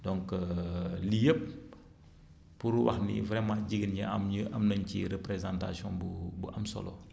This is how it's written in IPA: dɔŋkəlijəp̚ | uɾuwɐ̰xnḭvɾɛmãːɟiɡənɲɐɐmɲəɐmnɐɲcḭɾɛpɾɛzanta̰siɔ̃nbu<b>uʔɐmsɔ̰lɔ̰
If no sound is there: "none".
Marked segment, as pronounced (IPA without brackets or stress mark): b